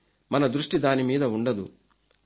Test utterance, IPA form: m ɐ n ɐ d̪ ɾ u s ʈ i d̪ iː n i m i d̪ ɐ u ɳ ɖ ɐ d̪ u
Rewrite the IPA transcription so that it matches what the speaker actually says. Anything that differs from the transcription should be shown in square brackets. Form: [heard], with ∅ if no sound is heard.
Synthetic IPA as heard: m ɐ n ɐ d̪ ɾ u [ʂ] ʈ i d̪ [aː] n i m [iː] d̪ ɐ u ɳ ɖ ɐ d̪ u